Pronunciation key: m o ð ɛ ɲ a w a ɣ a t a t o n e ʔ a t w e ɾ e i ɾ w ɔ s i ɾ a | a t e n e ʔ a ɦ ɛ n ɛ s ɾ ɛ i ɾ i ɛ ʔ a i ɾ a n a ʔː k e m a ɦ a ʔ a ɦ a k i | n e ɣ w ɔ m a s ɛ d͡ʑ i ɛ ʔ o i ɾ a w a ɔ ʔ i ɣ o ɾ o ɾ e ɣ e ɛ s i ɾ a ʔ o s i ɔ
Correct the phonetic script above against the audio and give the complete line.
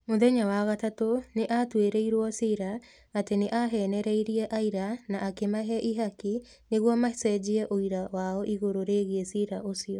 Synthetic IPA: m o ð ɛ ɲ a w a ɣ a t a t o n e ʔ a t w e ɾ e i ɾ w ɔ s i ɾ a | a t e n e ʔ a ɦ ɛ n ɛ ɾ ɛ i ɾ i ɛ ʔ a i ɾ a n a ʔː k e m a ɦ ɛ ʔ i ɦ a k i | n e ɣ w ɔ m a s ɛ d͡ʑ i ɛ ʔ o i ɾ a w a ɔ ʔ i ɣ o ɾ o ɾ e ɣ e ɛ s i ɾ a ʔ o s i ɔ